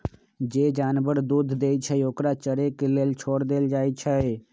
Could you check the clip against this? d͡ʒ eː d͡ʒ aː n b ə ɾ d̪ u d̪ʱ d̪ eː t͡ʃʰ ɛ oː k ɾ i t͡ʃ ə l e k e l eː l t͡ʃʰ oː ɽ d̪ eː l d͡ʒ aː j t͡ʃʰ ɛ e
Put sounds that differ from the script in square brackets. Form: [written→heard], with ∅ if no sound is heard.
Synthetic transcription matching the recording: d͡ʒ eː d͡ʒ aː n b ə ɾ d̪ u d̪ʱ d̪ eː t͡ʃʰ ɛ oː k ɾ [i→a] t͡ʃ ə [l→ɾ] e k e l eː l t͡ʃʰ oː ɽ d̪ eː l d͡ʒ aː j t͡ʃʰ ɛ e